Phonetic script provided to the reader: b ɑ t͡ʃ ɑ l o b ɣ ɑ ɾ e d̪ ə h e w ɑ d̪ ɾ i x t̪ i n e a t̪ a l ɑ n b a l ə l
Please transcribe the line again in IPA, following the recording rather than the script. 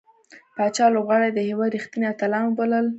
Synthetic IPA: p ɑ t͡ʃ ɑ l o b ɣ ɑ ɽ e d̪ ə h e w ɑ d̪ ɾ i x t̪ i n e a t̪ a l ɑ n b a l ə l